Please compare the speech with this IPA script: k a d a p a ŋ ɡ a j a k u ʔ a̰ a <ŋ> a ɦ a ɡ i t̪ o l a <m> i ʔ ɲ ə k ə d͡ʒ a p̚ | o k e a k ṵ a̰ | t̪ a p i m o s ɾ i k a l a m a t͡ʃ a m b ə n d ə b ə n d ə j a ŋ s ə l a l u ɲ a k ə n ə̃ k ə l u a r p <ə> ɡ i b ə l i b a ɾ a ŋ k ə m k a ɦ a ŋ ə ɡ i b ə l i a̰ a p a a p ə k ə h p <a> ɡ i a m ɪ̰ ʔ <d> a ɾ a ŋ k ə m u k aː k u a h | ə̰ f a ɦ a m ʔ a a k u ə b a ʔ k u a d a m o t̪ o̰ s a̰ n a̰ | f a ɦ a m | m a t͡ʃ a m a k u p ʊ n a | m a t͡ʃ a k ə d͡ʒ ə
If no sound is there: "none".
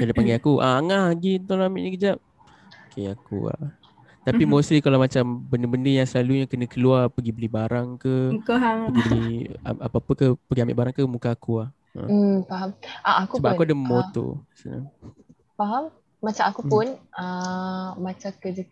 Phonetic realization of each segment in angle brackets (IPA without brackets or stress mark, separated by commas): ŋ, m, ə, ə, b